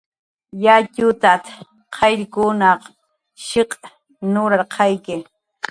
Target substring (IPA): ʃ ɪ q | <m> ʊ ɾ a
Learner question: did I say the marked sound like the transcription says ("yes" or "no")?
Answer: no